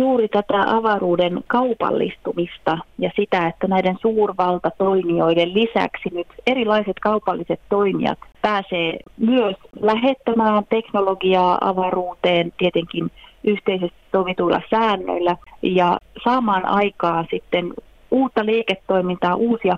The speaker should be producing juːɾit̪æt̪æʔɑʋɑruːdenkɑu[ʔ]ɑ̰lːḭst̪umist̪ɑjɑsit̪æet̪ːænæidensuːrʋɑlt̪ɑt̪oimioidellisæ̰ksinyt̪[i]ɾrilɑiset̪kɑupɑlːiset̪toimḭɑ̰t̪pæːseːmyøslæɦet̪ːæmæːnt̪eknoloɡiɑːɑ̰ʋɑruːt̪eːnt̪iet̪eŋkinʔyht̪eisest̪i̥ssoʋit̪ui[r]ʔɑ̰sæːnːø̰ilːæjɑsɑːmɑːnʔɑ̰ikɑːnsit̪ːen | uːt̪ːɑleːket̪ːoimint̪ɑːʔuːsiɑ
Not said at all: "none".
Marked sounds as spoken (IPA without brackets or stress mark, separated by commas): p, e, l